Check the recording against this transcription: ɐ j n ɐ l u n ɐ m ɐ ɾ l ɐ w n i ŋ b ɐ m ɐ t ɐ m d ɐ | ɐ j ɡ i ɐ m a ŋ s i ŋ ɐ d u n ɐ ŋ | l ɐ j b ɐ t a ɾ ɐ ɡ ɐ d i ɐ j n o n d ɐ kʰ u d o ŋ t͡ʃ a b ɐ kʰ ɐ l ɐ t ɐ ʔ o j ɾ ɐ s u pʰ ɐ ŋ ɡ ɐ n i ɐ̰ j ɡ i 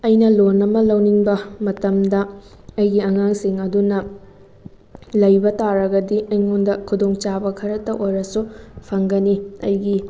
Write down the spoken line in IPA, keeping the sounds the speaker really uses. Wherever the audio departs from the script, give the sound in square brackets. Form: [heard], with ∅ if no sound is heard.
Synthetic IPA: ɐ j n ɐ l [o] n ɐ m ɐ [∅] l ɐ w n i ŋ b ɐ m ɐ t ɐ m d ɐ | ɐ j ɡ i ɐ [ŋ] a ŋ s i ŋ ɐ d u n ɐ [∅] | l ɐ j b ɐ t a ɾ ɐ ɡ ɐ d i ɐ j [ŋ] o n d ɐ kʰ u d o ŋ t͡ʃ a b ɐ kʰ ɐ [ɾ] ɐ t ɐ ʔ o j ɾ ɐ s u pʰ ɐ ŋ ɡ ɐ n i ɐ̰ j ɡ i